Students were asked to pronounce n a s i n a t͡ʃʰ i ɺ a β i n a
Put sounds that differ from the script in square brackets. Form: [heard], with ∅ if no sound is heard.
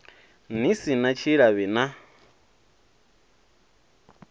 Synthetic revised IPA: n [i] s i n a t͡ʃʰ i ɺ a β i n a